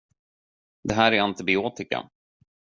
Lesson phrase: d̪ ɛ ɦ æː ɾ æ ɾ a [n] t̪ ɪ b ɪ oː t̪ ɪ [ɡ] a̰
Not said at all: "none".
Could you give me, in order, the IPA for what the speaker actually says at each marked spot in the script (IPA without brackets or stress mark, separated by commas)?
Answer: n, k